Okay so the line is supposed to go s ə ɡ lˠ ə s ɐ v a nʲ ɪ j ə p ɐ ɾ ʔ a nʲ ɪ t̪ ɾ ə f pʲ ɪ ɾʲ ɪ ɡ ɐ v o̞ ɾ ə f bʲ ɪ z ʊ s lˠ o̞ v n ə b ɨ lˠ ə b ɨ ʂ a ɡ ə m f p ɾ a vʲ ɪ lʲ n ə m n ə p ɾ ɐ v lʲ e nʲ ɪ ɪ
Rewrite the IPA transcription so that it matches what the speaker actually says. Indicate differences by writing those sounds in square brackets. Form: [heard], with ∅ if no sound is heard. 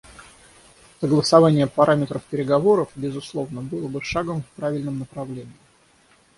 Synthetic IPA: s ə ɡ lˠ ə s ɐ v a nʲ ɪ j ə p ɐ ɾ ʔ a [mʲ] ɪ t̪ ɾ ə f pʲ ɪ ɾʲ ɪ ɡ ɐ v o̞ ɾ ə f bʲ ɪ z ʊ s lˠ o̞ v n ə b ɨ lˠ ə b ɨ ʂ a ɡ ə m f p ɾ a vʲ ɪ lʲ n ə m n ə p ɾ ɐ v lʲ e nʲ ɪ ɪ

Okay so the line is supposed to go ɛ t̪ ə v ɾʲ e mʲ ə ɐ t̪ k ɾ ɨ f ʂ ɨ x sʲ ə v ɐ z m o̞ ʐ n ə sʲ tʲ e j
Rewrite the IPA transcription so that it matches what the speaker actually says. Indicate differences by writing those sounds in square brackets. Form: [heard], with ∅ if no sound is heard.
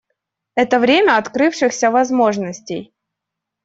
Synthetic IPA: ɛ t̪ ə v ɾʲ e mʲ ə ɐ t̪ k ɾ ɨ f ʂ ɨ x sʲ ə v ɐ z m o̞ ʐ n ə sʲ tʲ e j

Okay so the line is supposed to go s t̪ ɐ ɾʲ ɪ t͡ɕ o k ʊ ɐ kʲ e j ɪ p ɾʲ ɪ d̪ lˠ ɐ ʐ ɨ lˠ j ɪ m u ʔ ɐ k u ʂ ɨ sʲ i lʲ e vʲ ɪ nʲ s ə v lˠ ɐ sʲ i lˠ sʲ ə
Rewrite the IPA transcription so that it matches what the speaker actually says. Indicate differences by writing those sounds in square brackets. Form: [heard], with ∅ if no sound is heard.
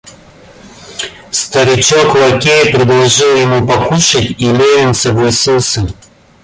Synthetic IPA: s t̪ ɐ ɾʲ ɪ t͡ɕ o k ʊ ɐ kʲ e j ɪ p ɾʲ ɪ d̪ lˠ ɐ ʐ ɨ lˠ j ɪ m u [p] ɐ k u ʂ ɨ [tʲ] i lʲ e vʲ ɪ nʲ s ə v lˠ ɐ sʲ i lˠ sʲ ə

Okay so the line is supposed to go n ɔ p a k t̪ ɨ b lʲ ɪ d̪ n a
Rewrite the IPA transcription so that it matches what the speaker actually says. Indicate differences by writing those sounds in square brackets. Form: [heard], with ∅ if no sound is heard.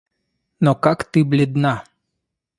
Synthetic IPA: n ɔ [k] a k t̪ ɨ b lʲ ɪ d̪ n a

